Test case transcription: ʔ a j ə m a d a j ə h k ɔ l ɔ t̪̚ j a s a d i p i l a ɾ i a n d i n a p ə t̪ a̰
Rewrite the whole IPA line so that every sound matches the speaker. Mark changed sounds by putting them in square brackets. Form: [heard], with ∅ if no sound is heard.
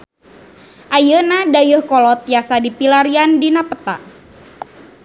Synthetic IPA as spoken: ʔ a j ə [n] a d a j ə h k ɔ l ɔ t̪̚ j a s a d i p i l a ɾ i a n d i n a p ə t̪ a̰